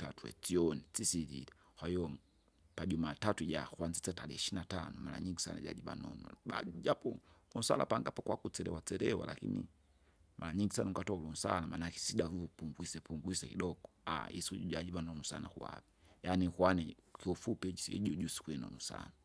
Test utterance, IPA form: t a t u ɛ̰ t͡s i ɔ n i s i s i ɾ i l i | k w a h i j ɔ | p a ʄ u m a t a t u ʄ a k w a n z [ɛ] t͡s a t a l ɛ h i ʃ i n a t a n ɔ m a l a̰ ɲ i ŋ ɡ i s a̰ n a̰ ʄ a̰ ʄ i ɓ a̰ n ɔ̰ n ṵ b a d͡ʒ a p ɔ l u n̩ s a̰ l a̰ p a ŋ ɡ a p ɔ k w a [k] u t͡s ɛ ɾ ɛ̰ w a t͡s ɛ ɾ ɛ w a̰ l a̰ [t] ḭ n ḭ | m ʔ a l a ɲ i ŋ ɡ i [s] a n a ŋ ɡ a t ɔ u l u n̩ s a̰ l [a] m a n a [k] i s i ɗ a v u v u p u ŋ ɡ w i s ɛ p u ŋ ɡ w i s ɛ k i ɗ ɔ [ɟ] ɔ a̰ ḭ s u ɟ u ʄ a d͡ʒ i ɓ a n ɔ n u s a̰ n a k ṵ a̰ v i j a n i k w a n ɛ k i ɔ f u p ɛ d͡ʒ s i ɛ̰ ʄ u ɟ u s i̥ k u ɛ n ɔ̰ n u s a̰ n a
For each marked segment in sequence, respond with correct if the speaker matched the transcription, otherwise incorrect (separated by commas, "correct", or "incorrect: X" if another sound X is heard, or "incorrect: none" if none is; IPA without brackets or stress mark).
incorrect: i, correct, incorrect: k, correct, correct, correct, incorrect: ɡ